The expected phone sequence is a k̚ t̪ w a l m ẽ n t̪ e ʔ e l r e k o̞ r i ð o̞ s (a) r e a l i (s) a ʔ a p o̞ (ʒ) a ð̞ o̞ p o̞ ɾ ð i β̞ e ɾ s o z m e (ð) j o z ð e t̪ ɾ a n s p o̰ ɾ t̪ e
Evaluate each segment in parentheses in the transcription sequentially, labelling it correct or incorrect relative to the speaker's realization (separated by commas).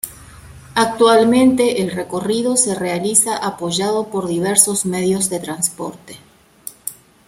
incorrect, correct, correct, correct